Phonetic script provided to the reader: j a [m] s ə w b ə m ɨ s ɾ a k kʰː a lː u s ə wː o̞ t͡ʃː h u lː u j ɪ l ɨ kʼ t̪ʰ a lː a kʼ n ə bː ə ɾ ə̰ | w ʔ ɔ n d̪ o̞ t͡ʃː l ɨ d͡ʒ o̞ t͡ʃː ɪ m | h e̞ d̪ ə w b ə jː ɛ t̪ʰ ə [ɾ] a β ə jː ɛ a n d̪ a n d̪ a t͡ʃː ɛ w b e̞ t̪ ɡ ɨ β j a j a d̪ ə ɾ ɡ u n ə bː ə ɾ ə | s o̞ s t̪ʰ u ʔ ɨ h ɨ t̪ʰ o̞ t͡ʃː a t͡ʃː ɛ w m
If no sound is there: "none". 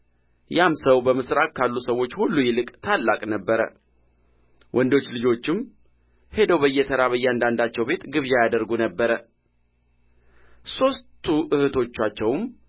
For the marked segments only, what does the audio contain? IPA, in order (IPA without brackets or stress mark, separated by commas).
m, ɾ